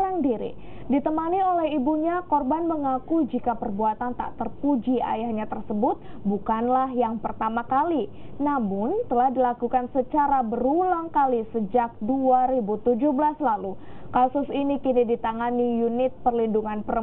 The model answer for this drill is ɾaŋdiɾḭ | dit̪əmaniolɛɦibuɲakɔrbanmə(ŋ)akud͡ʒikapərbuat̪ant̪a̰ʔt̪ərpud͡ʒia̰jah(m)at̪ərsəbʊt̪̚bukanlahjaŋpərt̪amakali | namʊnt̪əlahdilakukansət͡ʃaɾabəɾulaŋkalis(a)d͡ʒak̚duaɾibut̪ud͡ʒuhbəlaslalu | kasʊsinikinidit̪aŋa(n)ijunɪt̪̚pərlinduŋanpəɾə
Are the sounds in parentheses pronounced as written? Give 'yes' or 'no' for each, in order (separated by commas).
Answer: yes, no, no, yes